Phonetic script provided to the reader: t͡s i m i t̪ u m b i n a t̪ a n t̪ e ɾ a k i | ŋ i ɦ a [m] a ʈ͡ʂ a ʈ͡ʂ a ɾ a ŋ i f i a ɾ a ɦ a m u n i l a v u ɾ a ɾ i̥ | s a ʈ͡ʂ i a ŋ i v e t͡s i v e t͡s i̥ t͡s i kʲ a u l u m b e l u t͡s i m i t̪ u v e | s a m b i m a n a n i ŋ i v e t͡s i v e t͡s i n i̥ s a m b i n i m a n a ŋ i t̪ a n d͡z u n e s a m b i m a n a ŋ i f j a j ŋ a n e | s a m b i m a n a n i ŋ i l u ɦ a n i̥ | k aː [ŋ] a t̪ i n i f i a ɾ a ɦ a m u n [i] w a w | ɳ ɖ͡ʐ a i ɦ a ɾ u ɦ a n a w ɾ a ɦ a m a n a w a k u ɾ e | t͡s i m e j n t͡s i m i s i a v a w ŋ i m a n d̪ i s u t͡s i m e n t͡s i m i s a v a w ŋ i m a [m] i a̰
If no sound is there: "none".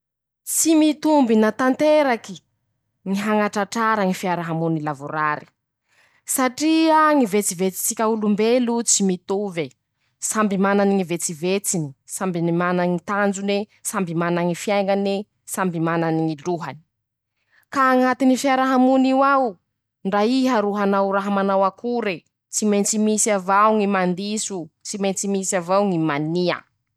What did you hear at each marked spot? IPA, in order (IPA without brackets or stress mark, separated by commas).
ŋ, ŋ, i, n